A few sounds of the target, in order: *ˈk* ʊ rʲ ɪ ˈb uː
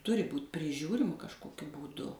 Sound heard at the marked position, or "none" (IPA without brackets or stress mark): t